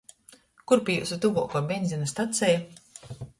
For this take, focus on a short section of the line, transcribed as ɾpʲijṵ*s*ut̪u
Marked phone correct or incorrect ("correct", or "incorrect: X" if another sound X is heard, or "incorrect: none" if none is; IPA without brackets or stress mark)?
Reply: correct